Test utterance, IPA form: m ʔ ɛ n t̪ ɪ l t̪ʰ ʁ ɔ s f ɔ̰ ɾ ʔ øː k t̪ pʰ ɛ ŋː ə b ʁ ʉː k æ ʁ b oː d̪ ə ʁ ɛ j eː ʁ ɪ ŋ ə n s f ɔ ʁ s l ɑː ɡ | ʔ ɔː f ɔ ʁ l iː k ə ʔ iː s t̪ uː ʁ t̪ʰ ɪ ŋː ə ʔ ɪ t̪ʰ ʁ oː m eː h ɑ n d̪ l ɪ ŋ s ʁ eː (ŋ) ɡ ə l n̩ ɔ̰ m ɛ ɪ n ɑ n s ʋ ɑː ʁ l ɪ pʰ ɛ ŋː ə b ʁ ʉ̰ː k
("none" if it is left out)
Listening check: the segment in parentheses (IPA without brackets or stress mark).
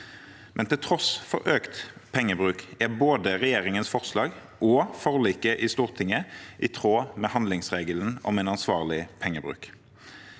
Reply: none